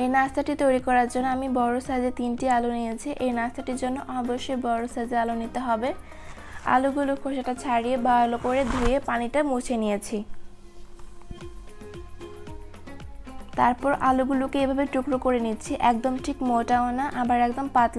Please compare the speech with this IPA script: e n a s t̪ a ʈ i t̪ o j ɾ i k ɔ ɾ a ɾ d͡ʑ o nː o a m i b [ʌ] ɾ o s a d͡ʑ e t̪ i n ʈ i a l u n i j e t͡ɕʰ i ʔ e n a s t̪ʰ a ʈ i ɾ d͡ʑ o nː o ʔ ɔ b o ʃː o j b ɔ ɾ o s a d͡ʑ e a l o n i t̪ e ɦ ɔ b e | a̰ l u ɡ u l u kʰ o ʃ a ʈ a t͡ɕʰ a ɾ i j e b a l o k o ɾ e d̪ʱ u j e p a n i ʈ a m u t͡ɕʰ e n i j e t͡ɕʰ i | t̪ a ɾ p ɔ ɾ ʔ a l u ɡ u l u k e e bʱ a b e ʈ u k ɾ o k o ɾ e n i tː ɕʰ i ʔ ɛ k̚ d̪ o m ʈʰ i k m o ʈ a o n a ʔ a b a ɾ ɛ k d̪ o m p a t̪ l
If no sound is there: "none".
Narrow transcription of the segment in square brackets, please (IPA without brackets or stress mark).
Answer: ɔ